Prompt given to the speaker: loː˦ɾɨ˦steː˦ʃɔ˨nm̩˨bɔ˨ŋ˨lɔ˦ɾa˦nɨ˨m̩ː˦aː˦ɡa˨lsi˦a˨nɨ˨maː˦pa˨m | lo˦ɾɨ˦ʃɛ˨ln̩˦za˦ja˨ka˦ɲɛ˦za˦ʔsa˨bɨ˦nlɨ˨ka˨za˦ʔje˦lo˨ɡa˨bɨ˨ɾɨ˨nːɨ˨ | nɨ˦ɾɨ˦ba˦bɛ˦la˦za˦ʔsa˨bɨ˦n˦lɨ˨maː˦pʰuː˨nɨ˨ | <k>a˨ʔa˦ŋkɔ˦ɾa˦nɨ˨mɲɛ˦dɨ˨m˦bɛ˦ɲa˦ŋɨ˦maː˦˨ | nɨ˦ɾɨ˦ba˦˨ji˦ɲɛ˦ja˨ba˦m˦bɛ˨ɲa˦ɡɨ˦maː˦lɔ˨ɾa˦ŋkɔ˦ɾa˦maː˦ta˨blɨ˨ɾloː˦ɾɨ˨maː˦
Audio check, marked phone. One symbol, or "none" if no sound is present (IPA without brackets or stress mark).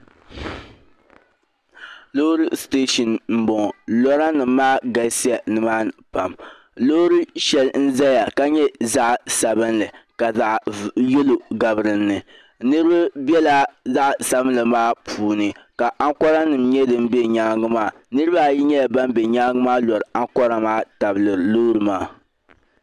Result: k